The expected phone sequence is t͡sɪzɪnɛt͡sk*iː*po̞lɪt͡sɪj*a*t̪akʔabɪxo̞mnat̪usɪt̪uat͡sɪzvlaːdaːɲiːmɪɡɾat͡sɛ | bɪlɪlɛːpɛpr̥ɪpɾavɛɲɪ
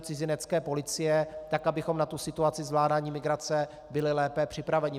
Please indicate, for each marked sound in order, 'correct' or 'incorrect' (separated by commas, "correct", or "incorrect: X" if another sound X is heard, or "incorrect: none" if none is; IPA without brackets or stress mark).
incorrect: ɛː, incorrect: ɛ